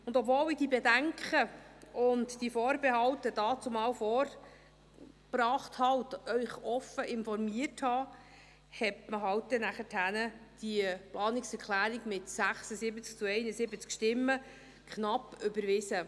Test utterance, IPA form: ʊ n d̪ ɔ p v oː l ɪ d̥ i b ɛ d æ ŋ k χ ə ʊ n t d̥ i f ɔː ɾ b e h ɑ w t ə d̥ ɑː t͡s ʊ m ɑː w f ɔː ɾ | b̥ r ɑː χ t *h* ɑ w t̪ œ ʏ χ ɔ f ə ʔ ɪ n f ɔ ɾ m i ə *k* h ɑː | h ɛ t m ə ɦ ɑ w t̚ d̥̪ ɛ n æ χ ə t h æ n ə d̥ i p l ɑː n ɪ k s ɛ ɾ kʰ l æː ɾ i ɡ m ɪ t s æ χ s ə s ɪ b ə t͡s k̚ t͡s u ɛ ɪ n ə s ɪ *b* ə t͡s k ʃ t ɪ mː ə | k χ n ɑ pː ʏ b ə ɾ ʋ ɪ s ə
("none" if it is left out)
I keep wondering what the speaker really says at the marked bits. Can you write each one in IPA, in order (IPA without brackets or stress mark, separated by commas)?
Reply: h, t, b